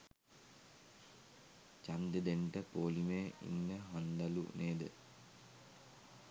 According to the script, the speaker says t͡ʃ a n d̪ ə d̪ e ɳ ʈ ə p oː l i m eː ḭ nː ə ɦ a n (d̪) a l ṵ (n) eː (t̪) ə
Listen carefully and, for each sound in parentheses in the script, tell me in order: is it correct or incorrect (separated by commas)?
correct, correct, incorrect